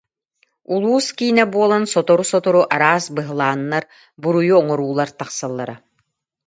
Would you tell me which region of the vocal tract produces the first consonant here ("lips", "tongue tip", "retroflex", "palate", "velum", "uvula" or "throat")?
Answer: tongue tip